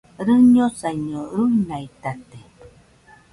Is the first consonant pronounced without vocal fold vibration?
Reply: no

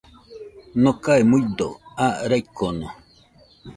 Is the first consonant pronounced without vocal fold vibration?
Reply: no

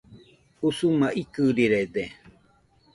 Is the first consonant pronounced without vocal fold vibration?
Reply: yes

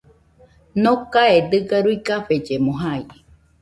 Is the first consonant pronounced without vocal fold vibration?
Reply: no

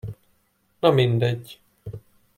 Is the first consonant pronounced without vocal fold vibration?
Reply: no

